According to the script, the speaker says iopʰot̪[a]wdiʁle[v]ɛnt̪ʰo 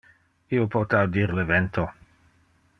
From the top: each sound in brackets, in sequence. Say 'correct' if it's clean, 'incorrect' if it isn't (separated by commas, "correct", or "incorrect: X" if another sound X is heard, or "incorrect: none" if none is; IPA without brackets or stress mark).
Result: correct, correct